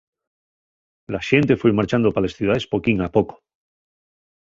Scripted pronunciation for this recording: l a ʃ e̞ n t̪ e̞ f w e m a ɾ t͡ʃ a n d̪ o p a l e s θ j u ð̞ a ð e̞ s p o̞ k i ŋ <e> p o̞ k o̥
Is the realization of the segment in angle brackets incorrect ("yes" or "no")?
yes